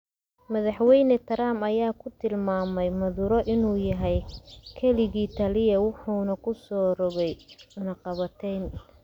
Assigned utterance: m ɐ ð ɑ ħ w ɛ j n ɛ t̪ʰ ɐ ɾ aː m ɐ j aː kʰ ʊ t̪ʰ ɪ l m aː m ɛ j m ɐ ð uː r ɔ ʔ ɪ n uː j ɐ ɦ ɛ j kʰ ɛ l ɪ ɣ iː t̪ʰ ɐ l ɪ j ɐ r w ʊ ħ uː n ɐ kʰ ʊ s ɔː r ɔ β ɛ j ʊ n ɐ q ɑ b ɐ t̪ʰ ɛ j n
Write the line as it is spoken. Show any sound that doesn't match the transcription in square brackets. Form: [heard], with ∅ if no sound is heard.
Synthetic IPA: m ɐ ð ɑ ħ w ɛ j n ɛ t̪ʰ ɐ ɾ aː m ɐ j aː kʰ ʊ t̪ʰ ɪ l m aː m ɛ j m ɐ ð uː [ɾ] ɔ ʔ ɪ n uː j ɐ ɦ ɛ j kʰ ɛ l ɪ ɣ iː t̪ʰ ɐ l ɪ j ɐ [∅] w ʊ ħ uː n ɐ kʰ ʊ s ɔː r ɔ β ɛ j ʊ n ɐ q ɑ [β] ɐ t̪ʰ ɛ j n